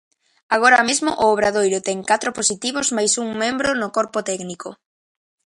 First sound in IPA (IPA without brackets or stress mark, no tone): a